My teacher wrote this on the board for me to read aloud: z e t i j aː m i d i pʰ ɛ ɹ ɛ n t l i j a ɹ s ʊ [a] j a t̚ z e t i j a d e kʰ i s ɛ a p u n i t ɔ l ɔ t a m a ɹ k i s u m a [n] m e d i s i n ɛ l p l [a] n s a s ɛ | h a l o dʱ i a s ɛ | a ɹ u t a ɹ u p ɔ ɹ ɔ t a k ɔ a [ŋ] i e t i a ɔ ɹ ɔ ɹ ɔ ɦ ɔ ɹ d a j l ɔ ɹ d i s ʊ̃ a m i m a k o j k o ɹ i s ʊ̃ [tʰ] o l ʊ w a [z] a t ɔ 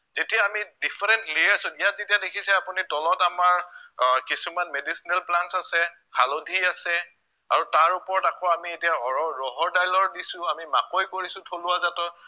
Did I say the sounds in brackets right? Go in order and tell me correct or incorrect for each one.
incorrect: i, correct, correct, incorrect: m, correct, correct

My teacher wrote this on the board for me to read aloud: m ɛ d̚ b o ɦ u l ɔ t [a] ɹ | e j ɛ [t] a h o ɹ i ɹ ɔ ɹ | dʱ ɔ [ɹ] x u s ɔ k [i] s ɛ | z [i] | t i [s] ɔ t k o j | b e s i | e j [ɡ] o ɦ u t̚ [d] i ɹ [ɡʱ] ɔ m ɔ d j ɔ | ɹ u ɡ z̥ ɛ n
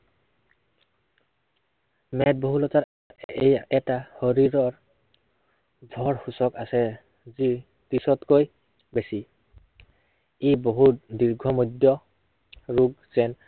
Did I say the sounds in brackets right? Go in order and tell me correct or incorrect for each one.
correct, correct, correct, incorrect: a, correct, correct, incorrect: b, correct, correct

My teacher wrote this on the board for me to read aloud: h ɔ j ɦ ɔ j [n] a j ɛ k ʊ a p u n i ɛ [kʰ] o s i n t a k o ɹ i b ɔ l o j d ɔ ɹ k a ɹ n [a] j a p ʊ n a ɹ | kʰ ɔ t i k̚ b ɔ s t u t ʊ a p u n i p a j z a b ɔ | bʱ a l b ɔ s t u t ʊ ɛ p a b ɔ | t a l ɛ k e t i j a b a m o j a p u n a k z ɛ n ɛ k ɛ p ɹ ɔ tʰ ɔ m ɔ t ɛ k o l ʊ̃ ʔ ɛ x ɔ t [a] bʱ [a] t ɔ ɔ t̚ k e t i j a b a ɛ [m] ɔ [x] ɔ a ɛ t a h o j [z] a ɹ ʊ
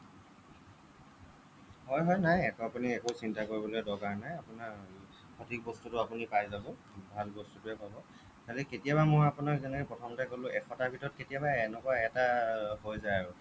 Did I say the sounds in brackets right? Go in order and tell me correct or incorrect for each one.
correct, incorrect: k, correct, correct, incorrect: i, incorrect: n, incorrect: k, correct

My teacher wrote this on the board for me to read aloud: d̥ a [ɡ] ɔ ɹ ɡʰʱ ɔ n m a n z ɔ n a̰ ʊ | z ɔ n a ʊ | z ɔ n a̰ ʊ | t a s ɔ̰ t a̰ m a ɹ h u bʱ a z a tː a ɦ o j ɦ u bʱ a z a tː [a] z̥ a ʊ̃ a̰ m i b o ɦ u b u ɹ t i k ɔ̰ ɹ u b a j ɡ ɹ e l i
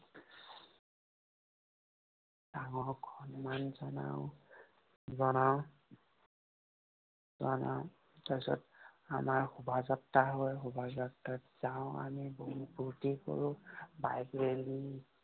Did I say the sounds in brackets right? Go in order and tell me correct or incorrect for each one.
incorrect: ŋ, correct

